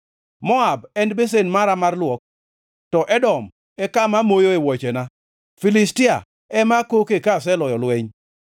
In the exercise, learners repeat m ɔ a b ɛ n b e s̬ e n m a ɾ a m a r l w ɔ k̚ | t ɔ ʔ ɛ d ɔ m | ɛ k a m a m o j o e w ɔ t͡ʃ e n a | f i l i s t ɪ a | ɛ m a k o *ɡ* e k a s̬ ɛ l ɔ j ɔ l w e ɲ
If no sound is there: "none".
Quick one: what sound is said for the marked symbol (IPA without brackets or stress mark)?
k